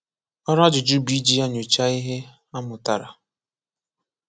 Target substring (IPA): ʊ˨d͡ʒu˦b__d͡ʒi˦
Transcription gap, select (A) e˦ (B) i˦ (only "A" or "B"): B